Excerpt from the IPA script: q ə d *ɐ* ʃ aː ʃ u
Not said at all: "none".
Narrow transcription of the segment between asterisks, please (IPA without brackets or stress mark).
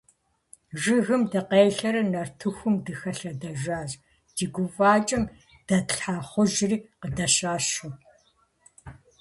ɐ